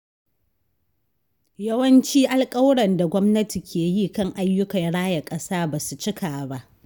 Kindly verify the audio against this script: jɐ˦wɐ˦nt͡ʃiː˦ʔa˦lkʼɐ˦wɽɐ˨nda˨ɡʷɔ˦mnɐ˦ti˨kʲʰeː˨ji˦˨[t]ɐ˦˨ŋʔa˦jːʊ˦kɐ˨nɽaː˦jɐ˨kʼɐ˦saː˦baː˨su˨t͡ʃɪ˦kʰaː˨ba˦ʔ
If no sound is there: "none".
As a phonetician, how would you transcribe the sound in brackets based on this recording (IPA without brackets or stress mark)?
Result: k